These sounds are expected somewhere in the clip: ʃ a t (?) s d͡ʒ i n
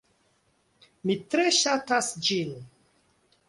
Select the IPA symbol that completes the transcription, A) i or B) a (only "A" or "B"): B